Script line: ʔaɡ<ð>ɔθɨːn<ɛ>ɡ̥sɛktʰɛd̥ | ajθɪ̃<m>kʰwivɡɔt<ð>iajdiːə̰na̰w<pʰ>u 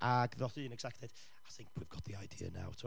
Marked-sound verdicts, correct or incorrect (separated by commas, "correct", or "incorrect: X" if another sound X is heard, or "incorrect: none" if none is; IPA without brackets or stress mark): correct, correct, incorrect: ŋ, correct, incorrect: tʰ